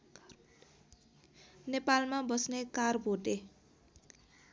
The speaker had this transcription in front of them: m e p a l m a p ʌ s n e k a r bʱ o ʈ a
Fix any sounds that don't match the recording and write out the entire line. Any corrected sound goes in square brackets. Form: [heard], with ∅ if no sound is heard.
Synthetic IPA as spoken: [n] e p a l m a [b] ʌ s n e k a r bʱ o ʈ [e]